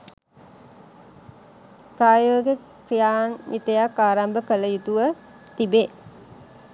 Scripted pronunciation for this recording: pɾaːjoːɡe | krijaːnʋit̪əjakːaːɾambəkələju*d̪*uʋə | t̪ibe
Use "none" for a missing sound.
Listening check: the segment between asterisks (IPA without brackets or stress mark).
t̪